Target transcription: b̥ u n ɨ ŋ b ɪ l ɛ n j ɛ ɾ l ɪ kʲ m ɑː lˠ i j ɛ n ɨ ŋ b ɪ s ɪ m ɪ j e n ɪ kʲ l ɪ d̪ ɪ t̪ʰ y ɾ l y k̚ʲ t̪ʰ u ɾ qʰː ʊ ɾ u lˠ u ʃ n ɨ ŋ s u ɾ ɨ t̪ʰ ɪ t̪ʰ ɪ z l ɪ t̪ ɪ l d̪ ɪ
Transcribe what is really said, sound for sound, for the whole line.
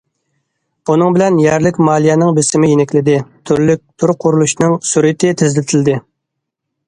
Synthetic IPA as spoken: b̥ u n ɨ ŋ b ɪ l ɛ n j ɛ ɾ l ɪ kʲ m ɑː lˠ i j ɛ n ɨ ŋ b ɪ s ɪ m ɪ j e n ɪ kʲ l ɪ d̪ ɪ t̪ʰ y ɾ l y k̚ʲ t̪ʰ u ɾ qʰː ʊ ɾ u lˠ u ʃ n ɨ ŋ s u ɾ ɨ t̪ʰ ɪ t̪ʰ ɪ z l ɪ t̪ʰ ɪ l d̪ ɪ

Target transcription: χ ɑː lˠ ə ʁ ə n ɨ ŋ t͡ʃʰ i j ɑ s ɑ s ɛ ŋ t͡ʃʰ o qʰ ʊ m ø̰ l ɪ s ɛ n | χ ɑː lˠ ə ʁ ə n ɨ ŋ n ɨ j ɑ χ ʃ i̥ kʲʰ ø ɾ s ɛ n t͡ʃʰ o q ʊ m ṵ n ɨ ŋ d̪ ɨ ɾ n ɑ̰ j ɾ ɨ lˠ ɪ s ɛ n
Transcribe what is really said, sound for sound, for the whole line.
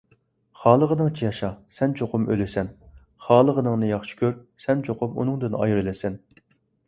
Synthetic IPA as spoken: χ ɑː lˠ ə ʁ ə n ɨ ŋ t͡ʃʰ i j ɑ ʃ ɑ s ɛ n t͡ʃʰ o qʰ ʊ m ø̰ l ɪ s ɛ n | χ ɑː lˠ ə ʁ ə n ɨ ŋ n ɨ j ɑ χ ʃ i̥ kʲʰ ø ɾ s ɛ n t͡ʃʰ o q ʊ m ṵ n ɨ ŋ d̪ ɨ n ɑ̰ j ɾ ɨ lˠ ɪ s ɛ n

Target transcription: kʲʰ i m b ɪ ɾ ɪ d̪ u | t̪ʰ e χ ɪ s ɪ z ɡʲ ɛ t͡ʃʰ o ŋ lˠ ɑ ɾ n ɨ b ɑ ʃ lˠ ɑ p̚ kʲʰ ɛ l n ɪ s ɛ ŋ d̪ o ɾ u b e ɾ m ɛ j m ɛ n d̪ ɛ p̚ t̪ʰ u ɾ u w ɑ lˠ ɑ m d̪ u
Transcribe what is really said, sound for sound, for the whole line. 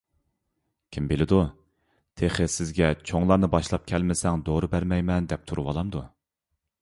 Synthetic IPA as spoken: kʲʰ i m b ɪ l ɪ d̪ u | t̪ʰ e χ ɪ s ɪ z ɡʲ ɛ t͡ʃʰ o ŋ lˠ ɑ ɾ n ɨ b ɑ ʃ lˠ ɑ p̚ kʲʰ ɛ l m ɪ s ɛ ŋ d̪ o ɾ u b æ ɾ m ɛ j m ɛ n d̪ ɛ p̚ t̪ʰ u ɾ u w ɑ lˠ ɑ m d̪ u

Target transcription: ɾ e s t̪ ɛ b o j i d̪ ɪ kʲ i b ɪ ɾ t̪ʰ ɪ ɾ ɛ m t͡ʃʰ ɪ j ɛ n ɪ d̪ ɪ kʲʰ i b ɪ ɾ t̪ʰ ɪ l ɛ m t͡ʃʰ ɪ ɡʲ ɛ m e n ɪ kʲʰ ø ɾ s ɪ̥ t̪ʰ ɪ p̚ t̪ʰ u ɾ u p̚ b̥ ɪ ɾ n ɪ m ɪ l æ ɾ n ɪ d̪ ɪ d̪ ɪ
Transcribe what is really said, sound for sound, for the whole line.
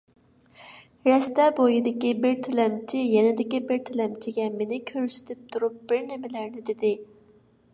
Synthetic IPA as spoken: ɾ ɛ s t̪ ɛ b o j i d̪ ɪ kʲ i b ɪ ɾ t̪ʰ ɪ l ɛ m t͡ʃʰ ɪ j ɛ n ɪ d̪ ɪ kʲ i b ɪ ɾ t̪ʰ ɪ l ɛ m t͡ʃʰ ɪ ɡʲ ɛ m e n ɪ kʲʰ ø ɾ s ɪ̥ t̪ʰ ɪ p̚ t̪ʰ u ɾ u p̚ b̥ ɪ ɾ n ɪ m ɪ l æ ɾ n ɪ d̪ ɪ d̪ ɪ

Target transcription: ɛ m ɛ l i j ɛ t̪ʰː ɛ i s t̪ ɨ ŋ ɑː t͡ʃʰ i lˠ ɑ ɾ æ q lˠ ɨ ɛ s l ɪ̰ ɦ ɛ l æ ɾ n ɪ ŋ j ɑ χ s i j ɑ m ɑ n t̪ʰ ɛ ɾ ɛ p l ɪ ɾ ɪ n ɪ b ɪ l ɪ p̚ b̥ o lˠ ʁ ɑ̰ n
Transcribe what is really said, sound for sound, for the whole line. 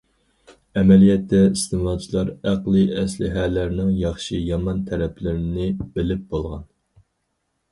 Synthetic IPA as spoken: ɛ m ɛ l i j ɛ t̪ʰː ɛ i s t̪ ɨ m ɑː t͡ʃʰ i lˠ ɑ ɾ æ q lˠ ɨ ɛ s l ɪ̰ ɦ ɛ l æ ɾ n ɪ ŋ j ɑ χ ʃ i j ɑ m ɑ n t̪ʰ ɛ ɾ ɛ p l ɪ ɾ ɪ n ɪ b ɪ l ɪ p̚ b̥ o lˠ ʁ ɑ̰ n

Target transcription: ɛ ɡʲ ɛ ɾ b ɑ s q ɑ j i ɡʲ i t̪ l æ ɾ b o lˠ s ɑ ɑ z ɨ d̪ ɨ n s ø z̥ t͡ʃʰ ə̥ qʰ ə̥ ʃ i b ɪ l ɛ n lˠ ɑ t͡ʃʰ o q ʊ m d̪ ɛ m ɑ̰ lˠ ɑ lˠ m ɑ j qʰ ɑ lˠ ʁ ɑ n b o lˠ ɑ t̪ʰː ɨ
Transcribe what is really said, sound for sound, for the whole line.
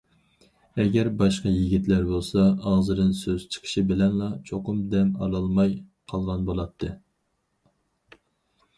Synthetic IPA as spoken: ɛ ɡʲ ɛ ɾ b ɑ ʃ q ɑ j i ɡʲ i t̪ l æ ɾ b o lˠ s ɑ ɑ z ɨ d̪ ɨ n s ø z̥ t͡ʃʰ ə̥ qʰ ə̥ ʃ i b ɪ l ɛ n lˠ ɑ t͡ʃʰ o q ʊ m d̪ ɛ m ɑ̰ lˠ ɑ lˠ m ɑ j qʰ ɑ lˠ ʁ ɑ n b o lˠ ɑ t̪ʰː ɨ

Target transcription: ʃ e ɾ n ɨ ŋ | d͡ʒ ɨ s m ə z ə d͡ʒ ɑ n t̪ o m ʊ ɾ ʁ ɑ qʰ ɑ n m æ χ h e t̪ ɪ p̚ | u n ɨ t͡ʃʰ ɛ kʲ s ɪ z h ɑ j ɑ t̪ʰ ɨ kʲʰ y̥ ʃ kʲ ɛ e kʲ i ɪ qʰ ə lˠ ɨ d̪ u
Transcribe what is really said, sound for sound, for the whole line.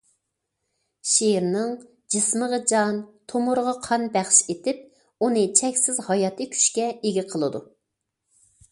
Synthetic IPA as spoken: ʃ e ɾ n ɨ ŋ | d͡ʒ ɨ s m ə ʁ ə d͡ʒ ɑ n t̪ʰ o m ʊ ɾ ʁ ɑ qʰ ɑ n b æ χ ʃ e t̪ ɪ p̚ | u n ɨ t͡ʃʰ ɛ kʲ s ɪ z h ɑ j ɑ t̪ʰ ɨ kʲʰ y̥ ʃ kʲ ɛ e ɡʲ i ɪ qʰ ə lˠ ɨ d̪ u

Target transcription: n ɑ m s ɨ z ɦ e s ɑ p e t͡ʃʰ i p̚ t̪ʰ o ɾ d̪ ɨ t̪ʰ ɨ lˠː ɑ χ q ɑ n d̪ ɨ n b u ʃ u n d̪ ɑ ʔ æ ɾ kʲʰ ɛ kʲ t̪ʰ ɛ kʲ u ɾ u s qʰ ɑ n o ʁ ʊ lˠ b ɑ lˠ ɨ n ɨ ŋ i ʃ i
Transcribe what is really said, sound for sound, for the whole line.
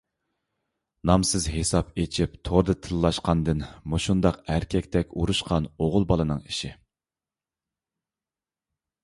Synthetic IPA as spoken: n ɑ m s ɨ z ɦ e s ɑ p e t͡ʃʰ i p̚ t̪ʰ o ɾ d̪ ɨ t̪ʰ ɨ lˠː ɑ ʃ q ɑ n d̪ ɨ n m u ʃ u n d̪ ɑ q æ ɾ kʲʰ ɛ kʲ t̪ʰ ɛ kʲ u ɾ u ʃ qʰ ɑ n o ʁ ʊ lˠ b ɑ lˠ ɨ n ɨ ŋ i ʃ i

